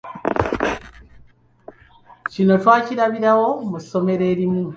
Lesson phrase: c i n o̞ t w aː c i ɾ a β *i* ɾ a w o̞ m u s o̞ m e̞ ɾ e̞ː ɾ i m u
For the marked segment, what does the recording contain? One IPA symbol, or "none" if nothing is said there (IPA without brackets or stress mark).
i